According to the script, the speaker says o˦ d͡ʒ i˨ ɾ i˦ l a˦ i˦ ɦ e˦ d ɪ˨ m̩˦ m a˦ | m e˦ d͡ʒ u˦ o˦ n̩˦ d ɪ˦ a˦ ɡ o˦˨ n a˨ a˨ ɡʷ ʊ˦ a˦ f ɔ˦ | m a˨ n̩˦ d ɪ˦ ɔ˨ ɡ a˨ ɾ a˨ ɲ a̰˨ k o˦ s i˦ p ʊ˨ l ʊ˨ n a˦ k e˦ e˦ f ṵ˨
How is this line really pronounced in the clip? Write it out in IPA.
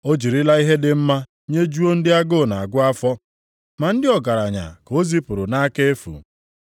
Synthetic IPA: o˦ d͡ʒ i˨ ɾ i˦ l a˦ i˦ ɦ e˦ d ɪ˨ m̩˦ m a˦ | ɲ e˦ d͡ʒ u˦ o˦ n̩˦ d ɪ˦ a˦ ɡ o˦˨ n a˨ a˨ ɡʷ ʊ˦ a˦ f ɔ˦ | m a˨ n̩˦ d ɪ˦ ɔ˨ ɡ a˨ ɾ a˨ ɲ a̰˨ k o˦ z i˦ p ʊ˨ ɾ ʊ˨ n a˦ k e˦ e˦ f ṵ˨